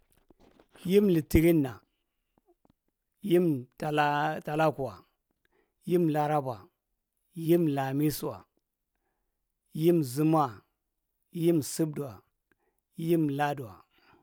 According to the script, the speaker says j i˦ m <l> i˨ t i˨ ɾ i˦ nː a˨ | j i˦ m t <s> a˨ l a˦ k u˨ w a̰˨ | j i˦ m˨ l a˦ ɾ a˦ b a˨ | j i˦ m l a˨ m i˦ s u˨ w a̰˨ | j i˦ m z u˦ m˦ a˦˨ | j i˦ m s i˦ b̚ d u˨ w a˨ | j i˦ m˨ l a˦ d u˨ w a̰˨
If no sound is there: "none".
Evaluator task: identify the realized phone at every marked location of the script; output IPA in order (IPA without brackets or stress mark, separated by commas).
l, t